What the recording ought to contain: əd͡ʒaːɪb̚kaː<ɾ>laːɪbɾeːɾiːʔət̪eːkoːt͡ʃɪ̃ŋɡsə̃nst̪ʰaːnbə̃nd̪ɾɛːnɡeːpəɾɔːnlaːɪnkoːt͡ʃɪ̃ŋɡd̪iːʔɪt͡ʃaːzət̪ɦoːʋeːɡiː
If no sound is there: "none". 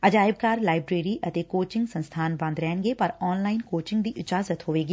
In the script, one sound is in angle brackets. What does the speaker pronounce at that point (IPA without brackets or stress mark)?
ɾ